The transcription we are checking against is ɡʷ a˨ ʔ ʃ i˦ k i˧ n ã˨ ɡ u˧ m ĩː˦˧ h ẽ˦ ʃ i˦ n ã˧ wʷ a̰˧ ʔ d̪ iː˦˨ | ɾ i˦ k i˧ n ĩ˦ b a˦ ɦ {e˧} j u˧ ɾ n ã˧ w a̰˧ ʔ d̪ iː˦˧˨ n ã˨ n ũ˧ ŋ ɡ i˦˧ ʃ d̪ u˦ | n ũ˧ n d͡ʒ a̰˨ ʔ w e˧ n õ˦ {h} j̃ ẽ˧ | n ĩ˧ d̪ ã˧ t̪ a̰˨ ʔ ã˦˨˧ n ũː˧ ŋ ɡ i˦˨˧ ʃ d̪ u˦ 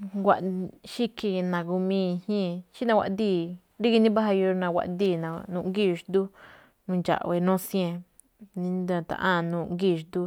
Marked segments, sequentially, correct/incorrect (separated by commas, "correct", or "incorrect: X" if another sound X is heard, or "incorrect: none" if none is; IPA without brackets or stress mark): incorrect: a˧, incorrect: s